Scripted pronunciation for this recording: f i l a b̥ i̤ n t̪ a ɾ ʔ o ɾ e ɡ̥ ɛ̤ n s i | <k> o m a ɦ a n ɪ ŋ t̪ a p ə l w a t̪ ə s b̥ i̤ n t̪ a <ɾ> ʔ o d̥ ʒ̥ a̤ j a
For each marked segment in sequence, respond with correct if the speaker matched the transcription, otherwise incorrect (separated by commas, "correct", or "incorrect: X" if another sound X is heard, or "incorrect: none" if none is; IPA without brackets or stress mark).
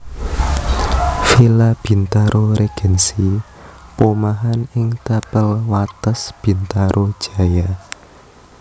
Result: incorrect: p, correct